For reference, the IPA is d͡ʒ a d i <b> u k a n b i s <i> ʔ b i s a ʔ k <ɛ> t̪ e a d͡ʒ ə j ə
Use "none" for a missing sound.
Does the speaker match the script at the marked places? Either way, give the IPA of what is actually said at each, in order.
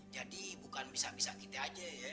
b, a, i

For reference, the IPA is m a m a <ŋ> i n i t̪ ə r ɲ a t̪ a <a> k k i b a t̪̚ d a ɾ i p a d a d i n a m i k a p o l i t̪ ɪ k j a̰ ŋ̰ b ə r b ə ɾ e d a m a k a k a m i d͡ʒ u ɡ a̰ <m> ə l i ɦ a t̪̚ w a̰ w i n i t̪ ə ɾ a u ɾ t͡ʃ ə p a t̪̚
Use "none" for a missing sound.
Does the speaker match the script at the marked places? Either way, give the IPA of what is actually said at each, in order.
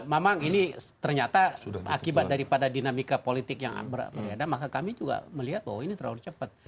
ŋ, a, m

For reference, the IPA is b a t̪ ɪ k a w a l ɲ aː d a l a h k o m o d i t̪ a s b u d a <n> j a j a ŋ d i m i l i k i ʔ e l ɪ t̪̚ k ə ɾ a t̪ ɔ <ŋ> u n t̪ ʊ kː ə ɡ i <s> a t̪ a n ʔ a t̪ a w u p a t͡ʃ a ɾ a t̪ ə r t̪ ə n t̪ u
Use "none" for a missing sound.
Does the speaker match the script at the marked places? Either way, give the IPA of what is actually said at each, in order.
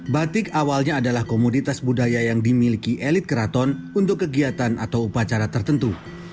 none, n, none

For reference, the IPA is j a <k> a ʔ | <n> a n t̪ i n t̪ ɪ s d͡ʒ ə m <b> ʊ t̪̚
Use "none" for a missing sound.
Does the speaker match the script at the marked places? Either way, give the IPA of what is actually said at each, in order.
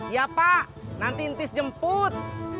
p, n, p

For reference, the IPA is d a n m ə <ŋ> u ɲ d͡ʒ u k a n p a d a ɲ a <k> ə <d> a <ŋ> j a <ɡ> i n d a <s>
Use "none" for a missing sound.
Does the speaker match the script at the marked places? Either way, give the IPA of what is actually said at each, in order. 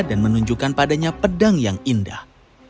n, p, d, ŋ, ŋ, h

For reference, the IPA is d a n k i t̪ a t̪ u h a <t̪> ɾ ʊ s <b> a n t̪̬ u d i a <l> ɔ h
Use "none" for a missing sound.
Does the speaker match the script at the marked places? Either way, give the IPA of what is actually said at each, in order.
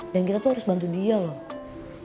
none, b, l

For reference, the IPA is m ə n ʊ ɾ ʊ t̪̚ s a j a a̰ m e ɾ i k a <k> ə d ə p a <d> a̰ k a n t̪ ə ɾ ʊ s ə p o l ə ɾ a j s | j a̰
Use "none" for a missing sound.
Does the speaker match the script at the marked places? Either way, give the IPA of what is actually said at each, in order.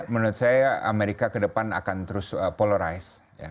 k, n

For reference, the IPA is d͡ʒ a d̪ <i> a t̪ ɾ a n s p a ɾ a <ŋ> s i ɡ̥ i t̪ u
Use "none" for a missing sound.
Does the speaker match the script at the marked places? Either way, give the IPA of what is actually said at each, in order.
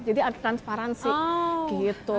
i, n

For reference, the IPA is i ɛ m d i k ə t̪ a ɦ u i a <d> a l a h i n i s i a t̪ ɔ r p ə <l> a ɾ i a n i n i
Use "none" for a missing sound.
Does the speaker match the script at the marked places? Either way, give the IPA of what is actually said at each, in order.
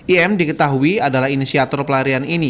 d, l

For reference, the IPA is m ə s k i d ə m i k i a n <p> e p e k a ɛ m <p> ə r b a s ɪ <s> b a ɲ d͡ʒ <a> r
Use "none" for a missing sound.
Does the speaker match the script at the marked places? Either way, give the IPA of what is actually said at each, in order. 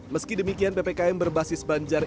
p, b, s, a

